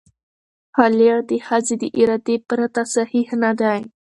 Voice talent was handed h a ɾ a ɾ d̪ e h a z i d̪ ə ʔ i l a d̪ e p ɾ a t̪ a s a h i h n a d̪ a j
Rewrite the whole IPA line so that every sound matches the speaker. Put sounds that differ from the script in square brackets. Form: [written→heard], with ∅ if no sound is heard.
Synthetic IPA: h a [ɾ→l] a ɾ d̪ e h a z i d̪ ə ʔ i [l→ɾ] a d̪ e p ɾ a t̪ a s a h i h n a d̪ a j